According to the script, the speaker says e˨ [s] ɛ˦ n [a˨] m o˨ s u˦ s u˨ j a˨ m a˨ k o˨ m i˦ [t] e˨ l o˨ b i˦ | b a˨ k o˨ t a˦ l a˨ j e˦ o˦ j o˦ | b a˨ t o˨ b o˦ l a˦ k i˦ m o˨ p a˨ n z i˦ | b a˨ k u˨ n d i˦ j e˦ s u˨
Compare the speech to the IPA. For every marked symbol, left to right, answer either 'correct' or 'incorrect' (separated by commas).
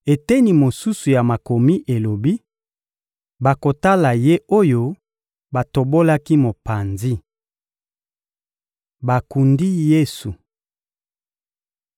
incorrect, incorrect, incorrect